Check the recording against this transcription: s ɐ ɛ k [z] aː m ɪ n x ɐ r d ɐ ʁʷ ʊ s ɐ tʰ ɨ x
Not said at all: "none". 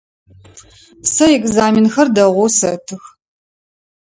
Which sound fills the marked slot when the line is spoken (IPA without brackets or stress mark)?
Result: z